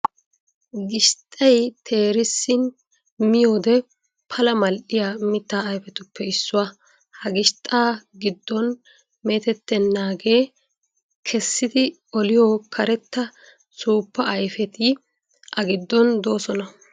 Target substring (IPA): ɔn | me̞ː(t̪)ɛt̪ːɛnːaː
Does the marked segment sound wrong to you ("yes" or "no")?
no